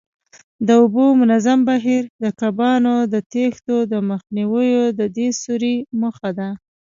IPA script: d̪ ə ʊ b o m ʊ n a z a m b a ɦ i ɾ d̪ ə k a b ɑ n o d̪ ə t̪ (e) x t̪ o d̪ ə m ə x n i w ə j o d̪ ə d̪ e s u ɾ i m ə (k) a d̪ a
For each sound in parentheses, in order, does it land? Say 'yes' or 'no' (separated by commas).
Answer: yes, no